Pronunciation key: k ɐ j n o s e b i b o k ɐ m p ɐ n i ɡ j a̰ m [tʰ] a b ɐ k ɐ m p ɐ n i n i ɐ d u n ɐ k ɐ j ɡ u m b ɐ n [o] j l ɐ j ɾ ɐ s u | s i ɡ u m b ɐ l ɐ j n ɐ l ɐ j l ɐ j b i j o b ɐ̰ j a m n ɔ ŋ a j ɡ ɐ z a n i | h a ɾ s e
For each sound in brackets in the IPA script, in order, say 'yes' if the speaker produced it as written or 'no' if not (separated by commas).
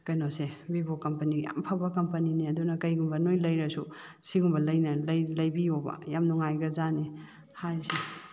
no, yes